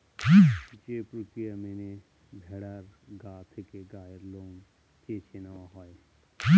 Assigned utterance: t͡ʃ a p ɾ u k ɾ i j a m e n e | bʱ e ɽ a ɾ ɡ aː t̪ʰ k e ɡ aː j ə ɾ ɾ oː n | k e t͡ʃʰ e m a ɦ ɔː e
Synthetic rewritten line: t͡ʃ e p ɾ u k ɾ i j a m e n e | bʱ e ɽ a ɾ ɡ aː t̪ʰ k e ɡ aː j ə ɾ l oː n | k e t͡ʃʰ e n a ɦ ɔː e